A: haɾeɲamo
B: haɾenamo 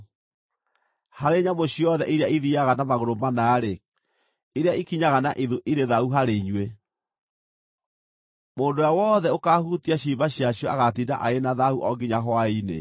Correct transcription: A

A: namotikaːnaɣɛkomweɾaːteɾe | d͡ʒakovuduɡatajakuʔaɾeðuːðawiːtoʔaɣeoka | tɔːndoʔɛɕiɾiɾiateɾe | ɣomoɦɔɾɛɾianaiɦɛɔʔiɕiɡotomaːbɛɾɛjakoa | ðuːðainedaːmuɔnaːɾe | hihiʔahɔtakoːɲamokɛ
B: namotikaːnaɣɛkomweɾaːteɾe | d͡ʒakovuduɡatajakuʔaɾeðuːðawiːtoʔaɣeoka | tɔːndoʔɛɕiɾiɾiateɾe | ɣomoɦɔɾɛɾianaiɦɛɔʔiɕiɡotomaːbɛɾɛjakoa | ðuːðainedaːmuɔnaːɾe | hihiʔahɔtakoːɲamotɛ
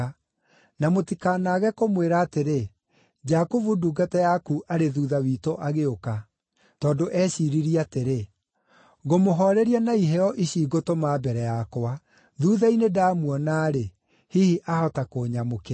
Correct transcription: A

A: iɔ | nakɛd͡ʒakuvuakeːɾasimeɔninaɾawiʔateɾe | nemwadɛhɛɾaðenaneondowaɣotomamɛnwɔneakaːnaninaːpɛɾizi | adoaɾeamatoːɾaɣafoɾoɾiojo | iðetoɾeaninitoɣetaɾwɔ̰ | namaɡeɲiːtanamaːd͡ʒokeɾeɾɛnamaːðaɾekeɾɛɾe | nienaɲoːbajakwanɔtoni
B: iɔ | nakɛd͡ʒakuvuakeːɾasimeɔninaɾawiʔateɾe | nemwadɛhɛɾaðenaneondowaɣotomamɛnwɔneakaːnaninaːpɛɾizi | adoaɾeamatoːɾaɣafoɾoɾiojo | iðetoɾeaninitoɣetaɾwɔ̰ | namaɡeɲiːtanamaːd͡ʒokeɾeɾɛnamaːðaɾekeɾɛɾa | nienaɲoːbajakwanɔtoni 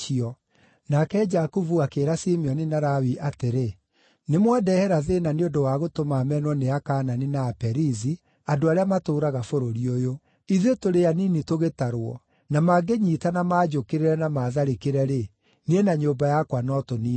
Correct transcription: A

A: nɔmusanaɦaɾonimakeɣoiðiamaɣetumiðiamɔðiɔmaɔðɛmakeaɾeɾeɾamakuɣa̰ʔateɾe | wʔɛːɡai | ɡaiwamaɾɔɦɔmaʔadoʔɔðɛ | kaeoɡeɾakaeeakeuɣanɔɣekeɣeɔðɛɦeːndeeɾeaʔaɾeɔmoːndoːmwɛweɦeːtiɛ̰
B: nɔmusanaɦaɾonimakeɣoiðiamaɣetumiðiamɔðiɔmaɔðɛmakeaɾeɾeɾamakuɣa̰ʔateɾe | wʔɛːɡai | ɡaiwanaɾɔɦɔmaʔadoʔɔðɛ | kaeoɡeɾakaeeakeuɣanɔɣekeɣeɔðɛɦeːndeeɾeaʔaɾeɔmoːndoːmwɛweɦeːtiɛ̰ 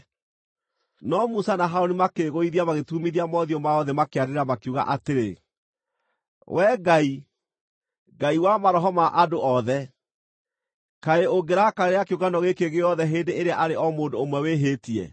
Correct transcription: A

